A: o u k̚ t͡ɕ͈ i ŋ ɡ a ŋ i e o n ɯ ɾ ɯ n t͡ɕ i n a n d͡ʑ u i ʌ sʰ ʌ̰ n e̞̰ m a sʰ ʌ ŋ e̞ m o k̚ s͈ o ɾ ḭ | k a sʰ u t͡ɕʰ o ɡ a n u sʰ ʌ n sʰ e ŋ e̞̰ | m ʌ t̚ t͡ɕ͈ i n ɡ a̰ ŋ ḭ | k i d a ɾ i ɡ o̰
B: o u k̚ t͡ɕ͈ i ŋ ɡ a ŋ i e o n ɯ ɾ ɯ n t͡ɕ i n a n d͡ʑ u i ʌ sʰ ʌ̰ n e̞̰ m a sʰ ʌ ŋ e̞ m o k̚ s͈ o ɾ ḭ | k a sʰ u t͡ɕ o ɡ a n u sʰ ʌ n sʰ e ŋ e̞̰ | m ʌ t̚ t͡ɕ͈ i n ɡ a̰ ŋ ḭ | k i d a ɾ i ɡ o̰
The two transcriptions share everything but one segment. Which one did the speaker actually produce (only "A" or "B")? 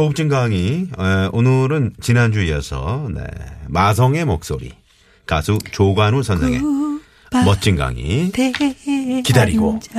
B